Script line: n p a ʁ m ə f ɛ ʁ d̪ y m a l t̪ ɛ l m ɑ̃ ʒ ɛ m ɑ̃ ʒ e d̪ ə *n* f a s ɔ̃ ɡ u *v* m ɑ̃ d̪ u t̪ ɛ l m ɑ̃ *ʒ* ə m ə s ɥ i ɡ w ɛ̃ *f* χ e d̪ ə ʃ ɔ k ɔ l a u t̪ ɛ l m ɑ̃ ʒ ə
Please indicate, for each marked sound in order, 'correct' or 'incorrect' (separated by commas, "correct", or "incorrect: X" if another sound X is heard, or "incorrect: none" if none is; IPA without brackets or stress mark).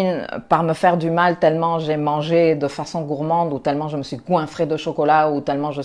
incorrect: none, incorrect: ʁ, correct, correct